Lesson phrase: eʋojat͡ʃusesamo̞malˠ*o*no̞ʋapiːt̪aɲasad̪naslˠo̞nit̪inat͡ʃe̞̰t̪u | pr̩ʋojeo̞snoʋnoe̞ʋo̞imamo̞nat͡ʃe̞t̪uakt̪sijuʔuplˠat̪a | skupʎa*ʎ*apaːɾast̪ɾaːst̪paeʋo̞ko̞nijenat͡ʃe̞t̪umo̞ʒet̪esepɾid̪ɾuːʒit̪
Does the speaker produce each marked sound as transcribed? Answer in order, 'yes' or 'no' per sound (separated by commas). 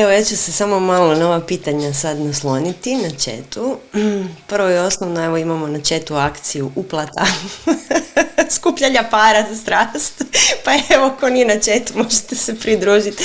yes, yes